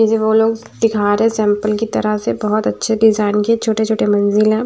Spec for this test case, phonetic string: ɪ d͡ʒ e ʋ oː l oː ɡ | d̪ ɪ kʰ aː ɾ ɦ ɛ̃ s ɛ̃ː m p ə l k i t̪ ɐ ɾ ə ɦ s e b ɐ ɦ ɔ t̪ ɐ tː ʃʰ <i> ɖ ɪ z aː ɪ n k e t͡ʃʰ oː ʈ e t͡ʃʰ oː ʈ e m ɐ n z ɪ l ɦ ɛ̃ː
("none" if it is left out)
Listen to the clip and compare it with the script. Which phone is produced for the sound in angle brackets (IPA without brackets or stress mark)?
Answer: e